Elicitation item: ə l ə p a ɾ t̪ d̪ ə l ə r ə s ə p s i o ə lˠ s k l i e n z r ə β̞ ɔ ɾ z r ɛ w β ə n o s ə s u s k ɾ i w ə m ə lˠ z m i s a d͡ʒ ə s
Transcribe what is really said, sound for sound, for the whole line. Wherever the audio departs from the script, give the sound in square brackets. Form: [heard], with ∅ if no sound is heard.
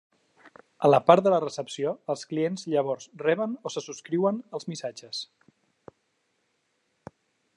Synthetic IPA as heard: ə l ə p a ɾ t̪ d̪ ə l ə r ə s ə p s i o ə lˠ s k l i e n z [ʎ] ə β̞ ɔ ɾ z r ɛ [∅] β ə n o s ə s u s k ɾ i w ə [n] ə lˠ z m i s a d͡ʒ ə s